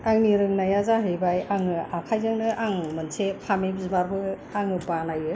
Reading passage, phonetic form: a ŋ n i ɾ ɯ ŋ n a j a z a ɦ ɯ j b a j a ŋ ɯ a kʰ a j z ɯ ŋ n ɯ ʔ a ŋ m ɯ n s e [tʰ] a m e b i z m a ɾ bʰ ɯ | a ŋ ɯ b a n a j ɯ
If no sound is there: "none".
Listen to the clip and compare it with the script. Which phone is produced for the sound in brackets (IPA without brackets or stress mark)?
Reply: pʰ